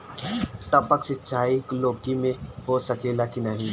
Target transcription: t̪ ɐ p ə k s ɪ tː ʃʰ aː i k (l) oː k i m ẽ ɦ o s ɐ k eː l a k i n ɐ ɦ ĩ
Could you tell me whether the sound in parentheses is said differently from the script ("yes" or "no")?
no